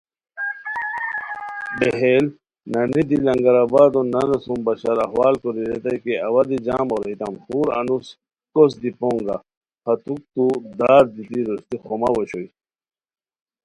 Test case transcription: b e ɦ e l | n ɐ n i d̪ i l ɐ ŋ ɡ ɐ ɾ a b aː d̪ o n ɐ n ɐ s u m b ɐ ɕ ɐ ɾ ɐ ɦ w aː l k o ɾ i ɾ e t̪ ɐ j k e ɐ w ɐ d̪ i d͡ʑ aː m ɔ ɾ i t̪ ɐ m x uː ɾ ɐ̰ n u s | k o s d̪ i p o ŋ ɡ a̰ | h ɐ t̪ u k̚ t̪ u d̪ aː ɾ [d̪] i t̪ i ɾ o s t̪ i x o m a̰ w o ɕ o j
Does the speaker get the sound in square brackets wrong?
no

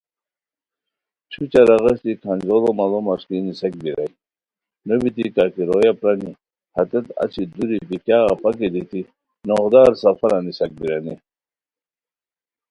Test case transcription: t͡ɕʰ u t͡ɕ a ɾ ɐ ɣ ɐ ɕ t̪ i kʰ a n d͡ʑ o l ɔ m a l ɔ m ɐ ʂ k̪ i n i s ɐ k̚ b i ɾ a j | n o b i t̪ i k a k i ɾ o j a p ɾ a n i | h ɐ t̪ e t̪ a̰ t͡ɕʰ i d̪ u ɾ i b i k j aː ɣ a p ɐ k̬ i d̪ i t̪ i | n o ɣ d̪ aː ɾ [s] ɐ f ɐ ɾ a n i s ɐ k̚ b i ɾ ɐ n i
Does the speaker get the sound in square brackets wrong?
no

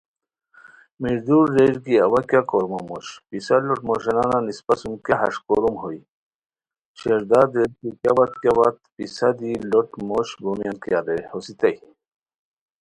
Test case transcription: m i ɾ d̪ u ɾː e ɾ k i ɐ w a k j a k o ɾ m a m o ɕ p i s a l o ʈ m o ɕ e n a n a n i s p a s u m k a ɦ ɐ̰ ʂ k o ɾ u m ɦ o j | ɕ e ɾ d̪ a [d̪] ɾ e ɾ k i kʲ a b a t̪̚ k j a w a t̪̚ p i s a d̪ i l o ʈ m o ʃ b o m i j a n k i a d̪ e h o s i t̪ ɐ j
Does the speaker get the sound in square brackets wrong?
no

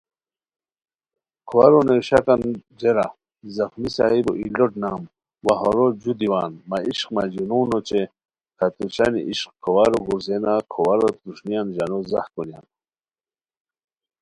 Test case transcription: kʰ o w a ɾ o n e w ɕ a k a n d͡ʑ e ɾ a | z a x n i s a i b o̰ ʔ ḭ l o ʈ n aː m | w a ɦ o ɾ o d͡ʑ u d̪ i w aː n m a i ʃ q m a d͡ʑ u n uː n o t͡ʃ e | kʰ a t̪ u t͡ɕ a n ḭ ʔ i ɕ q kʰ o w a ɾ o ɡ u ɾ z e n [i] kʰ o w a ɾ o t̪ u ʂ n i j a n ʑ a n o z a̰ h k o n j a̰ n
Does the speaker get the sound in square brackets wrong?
yes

